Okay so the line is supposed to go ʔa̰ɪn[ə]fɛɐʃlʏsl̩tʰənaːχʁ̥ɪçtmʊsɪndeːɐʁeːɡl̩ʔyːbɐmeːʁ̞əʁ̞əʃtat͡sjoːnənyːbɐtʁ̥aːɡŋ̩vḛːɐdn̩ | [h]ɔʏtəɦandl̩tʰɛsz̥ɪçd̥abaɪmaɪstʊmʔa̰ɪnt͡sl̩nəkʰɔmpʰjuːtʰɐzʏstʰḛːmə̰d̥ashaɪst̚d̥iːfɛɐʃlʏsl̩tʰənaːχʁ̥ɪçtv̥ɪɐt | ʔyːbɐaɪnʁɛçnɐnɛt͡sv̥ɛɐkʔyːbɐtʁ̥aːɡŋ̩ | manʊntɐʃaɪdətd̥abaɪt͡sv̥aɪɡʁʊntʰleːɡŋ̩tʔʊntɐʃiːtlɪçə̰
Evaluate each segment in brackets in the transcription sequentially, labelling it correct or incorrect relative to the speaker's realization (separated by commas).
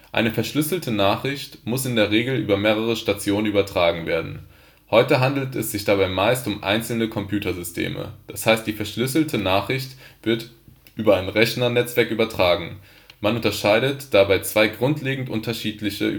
correct, correct